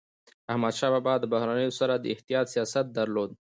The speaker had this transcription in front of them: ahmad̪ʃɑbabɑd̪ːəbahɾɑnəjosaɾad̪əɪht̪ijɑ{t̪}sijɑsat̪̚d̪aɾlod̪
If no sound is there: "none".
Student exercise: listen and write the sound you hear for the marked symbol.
t̪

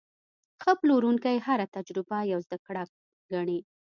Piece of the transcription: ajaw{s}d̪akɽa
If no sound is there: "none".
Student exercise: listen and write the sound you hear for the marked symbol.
z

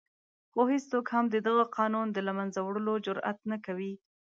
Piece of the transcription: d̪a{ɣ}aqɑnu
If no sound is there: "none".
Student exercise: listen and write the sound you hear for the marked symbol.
ɣ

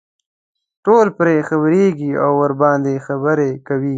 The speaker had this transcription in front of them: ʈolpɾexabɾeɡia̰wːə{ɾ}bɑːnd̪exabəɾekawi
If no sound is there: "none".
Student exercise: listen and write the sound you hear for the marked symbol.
ɾ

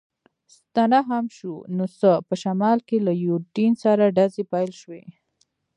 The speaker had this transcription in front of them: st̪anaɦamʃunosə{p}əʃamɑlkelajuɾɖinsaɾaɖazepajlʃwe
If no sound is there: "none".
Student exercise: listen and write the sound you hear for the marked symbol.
p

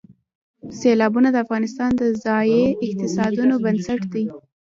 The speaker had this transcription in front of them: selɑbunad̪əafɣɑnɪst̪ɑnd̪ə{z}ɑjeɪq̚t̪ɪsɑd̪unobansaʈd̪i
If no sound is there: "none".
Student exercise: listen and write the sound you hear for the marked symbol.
z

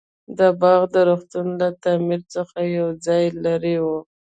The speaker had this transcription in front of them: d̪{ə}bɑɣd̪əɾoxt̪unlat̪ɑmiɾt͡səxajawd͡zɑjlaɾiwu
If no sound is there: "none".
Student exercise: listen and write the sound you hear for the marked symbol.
ə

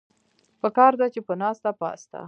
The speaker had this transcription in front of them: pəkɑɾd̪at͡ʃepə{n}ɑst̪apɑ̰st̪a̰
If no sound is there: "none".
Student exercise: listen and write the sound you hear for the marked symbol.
n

